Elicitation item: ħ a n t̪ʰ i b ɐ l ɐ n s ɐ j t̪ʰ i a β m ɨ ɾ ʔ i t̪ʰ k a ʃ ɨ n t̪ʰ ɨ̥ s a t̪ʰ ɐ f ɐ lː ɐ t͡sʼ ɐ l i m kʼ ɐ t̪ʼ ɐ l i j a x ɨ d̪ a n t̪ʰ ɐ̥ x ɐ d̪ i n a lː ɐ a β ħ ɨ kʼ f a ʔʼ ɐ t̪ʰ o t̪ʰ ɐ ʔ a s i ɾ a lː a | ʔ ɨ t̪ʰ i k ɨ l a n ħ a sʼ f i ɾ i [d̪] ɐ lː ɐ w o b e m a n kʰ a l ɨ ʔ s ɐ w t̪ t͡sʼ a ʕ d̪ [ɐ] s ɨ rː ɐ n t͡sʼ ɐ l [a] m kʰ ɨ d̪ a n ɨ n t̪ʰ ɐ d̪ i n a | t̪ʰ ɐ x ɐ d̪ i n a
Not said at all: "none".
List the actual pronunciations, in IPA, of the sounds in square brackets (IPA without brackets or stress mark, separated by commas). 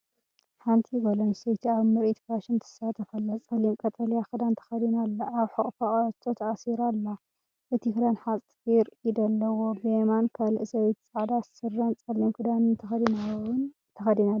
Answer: d̪, a, i